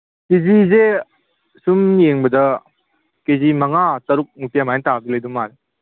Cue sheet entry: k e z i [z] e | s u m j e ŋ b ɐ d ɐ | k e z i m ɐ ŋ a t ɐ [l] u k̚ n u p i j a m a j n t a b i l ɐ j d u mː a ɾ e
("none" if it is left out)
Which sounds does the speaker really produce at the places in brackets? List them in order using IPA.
z, ɾ

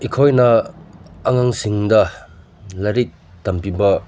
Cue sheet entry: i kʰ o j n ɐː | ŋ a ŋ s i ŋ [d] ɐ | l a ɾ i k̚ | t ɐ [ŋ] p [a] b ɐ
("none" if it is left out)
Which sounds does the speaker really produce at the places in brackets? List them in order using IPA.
d, m, i

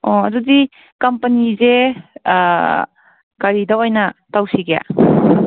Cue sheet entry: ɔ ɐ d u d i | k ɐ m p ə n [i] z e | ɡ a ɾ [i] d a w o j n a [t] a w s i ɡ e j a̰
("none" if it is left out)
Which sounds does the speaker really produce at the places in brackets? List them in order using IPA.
i, i, t

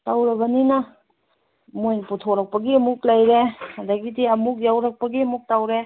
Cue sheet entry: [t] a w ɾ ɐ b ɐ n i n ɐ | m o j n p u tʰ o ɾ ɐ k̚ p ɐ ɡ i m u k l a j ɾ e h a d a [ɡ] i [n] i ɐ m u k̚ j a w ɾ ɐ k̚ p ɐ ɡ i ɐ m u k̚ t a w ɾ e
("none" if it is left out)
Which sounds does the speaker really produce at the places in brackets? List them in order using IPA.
t, ɡ, d

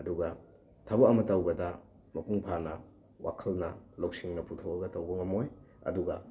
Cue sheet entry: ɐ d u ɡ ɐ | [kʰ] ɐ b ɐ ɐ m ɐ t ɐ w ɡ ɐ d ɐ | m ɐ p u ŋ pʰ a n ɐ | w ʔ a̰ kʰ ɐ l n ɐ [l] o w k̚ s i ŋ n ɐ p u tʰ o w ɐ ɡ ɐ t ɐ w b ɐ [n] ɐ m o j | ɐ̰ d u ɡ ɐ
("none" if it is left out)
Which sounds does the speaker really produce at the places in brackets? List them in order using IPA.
tʰ, l, ŋ

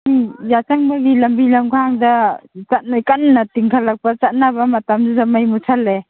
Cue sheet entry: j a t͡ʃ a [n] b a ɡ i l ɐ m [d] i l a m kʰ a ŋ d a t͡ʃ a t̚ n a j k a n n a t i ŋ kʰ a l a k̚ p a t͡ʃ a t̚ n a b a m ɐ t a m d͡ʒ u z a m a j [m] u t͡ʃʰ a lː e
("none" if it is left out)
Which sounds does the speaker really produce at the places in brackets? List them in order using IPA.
ŋ, b, m

